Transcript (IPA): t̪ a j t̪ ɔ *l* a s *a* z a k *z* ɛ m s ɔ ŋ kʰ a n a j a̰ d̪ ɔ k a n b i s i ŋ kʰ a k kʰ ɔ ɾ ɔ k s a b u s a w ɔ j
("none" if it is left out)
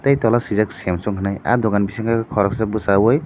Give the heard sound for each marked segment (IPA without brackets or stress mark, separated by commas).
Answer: l, i, s